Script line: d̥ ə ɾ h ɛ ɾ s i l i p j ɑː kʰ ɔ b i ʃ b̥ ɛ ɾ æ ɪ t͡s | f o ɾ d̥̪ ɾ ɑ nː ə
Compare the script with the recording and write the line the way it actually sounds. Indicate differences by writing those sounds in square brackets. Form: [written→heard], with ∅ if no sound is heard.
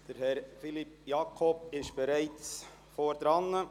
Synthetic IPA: d̥ ə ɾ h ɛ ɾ [s→f] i l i p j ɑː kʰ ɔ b [i→ɪ] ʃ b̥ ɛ ɾ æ ɪ t͡s | f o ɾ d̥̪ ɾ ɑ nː ə